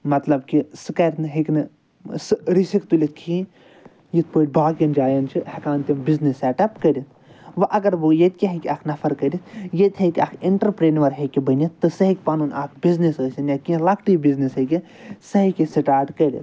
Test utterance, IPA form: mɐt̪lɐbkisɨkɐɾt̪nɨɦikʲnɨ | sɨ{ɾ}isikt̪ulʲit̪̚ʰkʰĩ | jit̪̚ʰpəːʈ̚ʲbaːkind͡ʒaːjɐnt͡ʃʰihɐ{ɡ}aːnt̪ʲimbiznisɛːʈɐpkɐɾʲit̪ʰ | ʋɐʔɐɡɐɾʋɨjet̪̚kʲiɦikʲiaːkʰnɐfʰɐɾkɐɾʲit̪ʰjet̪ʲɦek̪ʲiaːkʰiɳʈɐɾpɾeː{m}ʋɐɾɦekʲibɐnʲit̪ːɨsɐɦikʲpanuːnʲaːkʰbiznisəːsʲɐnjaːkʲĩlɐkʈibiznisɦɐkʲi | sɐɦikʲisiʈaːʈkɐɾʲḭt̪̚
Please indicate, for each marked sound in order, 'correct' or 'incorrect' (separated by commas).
correct, incorrect, incorrect